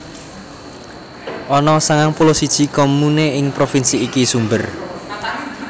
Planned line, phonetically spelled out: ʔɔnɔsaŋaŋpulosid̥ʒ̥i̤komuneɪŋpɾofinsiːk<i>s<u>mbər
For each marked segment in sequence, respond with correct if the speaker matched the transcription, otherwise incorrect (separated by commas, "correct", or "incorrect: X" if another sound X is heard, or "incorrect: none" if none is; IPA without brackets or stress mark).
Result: correct, correct